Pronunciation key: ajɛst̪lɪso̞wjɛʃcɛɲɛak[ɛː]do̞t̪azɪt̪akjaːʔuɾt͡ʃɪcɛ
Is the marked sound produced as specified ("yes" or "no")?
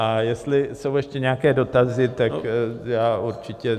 yes